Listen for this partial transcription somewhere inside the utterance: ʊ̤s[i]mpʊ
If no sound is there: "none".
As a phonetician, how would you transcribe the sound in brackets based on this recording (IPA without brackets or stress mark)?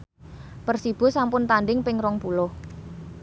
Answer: a